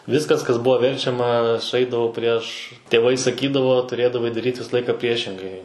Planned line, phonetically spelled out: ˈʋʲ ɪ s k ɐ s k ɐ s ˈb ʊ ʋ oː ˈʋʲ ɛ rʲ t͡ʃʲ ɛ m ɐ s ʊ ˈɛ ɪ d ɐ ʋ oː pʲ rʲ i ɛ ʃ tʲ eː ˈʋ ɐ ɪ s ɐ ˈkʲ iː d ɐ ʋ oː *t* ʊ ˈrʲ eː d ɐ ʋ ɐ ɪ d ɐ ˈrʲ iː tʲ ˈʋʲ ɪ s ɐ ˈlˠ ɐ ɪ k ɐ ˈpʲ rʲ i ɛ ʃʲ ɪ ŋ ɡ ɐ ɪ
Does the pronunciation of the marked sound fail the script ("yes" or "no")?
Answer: no